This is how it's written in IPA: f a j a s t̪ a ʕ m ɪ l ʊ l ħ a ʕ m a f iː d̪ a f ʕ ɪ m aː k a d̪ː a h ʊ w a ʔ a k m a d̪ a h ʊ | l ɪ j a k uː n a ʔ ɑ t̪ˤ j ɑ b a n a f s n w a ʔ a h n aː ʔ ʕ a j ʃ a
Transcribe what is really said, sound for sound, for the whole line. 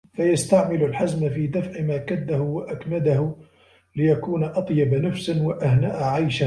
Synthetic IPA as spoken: f a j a s t̪ a ʕ m ɪ l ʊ l ħ a z m a f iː d̪ a f ʕ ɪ m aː k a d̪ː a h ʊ w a ʔ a k m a d̪ a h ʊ | l ɪ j a k uː n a ʔ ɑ t̪ˤ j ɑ b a n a f s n w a ʔ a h n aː ʔ ʕ a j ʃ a